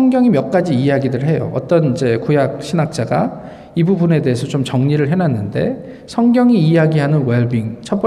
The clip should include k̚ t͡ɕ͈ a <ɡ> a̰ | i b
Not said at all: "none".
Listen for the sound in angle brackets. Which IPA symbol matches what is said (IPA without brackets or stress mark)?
ɡ